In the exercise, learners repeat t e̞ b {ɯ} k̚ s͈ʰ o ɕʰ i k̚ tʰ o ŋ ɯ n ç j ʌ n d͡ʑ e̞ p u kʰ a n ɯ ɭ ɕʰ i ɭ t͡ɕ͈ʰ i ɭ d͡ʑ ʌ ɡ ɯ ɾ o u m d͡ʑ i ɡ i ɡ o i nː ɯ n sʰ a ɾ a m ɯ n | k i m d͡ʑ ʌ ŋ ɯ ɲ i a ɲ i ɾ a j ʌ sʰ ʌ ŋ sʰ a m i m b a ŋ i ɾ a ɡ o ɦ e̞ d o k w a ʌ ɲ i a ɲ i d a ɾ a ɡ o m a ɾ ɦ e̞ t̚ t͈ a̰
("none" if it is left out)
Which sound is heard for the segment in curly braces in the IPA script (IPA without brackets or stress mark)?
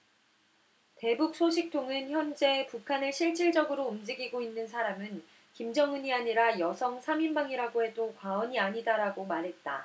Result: u